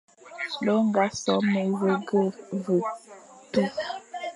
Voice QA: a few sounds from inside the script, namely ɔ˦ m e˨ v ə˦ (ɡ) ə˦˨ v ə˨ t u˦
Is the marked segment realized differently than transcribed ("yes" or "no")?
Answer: no